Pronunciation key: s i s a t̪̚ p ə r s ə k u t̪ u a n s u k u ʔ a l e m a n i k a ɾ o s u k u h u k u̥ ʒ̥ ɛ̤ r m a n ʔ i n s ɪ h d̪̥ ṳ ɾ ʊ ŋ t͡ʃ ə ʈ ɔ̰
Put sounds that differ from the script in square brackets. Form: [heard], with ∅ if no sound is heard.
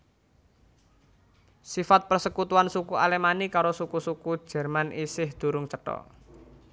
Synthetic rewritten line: s i [f] a t̪̚ p ə r s ə k u t̪ u a n s u k u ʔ a l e m a n i k a ɾ o s u k u [s] u k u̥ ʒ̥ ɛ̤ r m a n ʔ i [∅] s ɪ h d̪̥ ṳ ɾ ʊ ŋ t͡ʃ ə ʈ ɔ̰